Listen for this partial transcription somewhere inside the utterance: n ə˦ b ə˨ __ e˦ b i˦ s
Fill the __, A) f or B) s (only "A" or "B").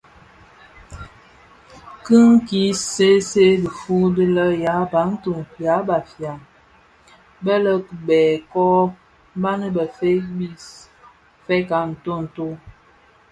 A